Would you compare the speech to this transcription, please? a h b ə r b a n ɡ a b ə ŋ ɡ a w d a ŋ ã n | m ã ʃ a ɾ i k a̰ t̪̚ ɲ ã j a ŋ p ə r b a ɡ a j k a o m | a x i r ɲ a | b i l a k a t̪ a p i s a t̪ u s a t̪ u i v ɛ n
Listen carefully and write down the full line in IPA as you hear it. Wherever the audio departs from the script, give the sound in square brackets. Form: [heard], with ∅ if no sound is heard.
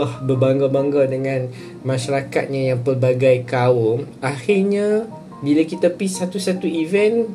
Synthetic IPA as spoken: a h b ə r b a [ŋ] ɡ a b [a] ŋ ɡ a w d [ə] ŋ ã n | m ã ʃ a ɾ [a] k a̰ t̪̚ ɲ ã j a ŋ p ə r b a ɡ a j k a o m | a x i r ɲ a | b i l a k [i] t̪ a p i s a t̪ u s a t̪ u i v ɛ n